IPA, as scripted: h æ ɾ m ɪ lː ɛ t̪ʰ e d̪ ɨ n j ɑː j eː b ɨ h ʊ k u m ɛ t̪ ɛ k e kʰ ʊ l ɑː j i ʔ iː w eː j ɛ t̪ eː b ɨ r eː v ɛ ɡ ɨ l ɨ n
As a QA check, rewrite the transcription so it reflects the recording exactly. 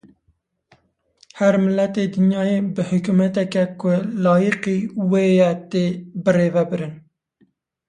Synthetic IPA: h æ ɾ m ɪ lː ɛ t̪ e d̪ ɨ n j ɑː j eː b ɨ h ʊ k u m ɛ t̪ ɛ k ɛ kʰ ʊ l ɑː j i q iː w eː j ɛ t̪ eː b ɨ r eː v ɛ b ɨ ɾ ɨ n